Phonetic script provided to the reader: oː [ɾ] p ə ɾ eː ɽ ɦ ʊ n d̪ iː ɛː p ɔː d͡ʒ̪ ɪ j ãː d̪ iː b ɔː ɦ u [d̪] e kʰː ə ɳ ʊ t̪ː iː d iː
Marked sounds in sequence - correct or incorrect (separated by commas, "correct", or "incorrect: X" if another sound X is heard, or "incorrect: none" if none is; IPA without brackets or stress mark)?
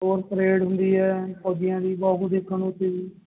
correct, correct